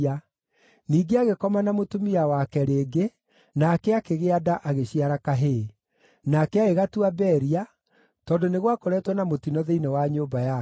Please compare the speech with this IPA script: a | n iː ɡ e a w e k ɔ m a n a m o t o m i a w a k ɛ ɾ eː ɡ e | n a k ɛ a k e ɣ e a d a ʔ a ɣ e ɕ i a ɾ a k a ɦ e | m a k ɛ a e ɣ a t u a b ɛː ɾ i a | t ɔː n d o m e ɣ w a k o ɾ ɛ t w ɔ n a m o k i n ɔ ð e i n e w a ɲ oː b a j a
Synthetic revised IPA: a | n iː ɡ e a ɣ e k ɔ m a n a m o t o m i a w a k ɛ ɾ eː ɡ e | n a k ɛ a k e ɣ e a d a ʔ a ɣ e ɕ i a ɾ a k a ɦ e | n a k ɛ a e ɣ a t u a b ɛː ɾ i a | t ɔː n d o n e ɣ w a k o ɾ ɛ t w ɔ n a m o t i n ɔ ð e i n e w a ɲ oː b a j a